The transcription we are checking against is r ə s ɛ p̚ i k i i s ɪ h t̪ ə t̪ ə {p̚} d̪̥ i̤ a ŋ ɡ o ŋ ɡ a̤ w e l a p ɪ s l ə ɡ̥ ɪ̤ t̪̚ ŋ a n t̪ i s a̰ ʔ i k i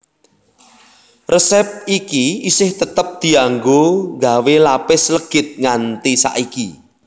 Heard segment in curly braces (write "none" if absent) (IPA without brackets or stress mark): p̚